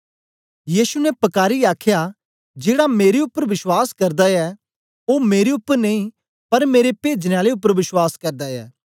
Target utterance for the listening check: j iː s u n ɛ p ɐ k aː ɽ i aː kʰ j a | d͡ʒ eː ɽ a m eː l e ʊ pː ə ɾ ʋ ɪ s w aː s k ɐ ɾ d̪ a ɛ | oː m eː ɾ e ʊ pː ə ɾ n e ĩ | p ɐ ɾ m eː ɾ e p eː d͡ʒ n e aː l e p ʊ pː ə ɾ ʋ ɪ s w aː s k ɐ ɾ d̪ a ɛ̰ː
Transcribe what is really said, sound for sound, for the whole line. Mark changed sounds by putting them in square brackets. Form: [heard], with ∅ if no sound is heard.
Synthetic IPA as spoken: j iː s u n ɛ p ɐ k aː [ɾ] i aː kʰ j a | d͡ʒ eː ɽ a m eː [ɾ] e ʊ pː ə ɾ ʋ ɪ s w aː s k ɐ ɾ d̪ a ɛ | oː m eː ɾ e ʊ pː ə ɾ n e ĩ | p ɐ ɾ m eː ɾ e p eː d͡ʒ n e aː l e [∅] ʊ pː ə ɾ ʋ ɪ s w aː s k ɐ ɾ d̪ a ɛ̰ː

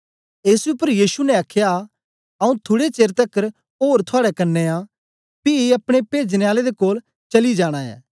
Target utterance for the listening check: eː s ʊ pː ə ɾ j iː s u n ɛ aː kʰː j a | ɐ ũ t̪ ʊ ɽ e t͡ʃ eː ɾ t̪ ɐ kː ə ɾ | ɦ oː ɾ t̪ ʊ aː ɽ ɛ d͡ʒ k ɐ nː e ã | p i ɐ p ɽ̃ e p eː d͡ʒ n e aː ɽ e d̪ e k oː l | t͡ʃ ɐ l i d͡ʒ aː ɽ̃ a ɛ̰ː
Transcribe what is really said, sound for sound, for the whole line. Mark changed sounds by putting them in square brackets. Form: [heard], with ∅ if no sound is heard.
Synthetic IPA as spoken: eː s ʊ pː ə ɾ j iː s u n ɛ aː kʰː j a | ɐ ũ [t̪ʰ] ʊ ɽ e t͡ʃ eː ɾ t̪ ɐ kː ə ɾ | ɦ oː ɾ [t̪ʰ] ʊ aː ɽ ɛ [∅] k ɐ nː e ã | p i ɐ p ɽ̃ e p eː d͡ʒ n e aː [l] e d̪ e k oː l | t͡ʃ ɐ l i d͡ʒ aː ɽ̃ a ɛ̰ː

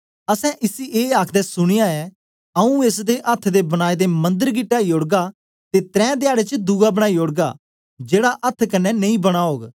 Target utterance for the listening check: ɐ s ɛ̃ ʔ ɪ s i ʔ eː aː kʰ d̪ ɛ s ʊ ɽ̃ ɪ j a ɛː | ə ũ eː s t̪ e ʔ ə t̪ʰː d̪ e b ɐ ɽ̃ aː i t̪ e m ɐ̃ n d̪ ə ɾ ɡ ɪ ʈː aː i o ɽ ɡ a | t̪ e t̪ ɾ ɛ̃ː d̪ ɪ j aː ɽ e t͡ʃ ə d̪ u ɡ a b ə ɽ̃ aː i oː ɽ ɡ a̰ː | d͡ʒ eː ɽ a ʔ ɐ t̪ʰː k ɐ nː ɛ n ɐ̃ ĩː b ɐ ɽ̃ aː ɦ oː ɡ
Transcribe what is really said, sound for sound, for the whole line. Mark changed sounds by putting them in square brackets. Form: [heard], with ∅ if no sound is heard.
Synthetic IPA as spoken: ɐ s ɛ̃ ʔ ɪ s i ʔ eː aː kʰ d̪ ɛ s ʊ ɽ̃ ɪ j a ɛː | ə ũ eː s [d̪] e ʔ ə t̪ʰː d̪ e b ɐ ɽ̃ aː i [d̪] e m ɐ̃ n d̪ ə ɾ ɡ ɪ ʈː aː i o ɽ ɡ a | t̪ e t̪ ɾ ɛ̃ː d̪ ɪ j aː ɽ e t͡ʃ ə d̪ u ɡ a b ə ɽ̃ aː i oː ɽ ɡ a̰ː | d͡ʒ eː ɽ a ʔ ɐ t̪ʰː k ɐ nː ɛ n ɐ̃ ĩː b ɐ ɽ̃ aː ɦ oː ɡ

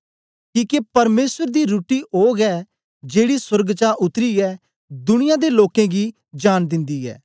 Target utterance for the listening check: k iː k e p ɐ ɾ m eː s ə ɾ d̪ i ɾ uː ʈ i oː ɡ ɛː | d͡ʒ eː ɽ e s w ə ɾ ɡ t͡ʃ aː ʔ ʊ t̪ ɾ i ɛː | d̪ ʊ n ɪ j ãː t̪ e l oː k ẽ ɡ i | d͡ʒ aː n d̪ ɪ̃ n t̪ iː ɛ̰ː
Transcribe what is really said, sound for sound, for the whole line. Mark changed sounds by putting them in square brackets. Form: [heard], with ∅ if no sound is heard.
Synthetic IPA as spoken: k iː k e p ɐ ɾ m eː s ə ɾ d̪ i ɾ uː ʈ i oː ɡ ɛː | d͡ʒ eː ɽ [i] s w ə ɾ ɡ t͡ʃ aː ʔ ʊ t̪ ɾ i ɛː | d̪ ʊ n ɪ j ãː [d̪] e l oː k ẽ ɡ i | d͡ʒ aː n d̪ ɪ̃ n [d̪] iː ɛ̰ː

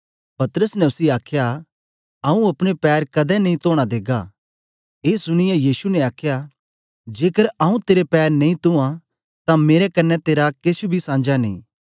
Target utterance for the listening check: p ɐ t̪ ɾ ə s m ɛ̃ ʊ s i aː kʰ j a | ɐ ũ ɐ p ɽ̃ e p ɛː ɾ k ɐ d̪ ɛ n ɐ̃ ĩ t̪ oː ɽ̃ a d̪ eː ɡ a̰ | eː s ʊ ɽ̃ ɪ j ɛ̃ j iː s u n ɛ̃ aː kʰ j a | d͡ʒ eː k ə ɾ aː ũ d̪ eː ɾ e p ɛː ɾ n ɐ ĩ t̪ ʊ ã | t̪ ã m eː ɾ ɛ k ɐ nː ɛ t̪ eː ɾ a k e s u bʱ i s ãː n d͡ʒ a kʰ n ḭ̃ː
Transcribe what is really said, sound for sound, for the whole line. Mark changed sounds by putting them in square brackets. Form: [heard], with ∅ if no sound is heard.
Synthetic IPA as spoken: p ɐ t̪ ɾ ə s [n] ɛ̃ ʊ s i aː kʰ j a | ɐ ũ ɐ p ɽ̃ e p ɛː ɾ k ɐ d̪ ɛ n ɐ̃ ĩ t̪ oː ɽ̃ a d̪ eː ɡ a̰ | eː s ʊ ɽ̃ ɪ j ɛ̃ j iː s u n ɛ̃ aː kʰ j a | d͡ʒ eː k ə ɾ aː ũ [t̪] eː ɾ e p ɛː ɾ n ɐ ĩ t̪ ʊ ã | t̪ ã m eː ɾ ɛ k ɐ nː ɛ t̪ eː ɾ a k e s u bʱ i s ãː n d͡ʒ a [∅] n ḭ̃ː

